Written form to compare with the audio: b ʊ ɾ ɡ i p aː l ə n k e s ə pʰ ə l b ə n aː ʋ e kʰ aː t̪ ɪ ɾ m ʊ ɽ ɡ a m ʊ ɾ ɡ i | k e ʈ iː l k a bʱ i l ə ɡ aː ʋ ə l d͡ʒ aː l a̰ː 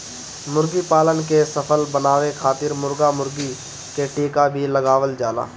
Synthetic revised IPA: m ʊ ɾ ɡ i p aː l ə n k e s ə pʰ ə l b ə n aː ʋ e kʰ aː t̪ ɪ ɾ m ʊ ɾ ɡ a m ʊ ɾ ɡ i | k e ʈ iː k a bʱ i l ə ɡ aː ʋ ə l d͡ʒ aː l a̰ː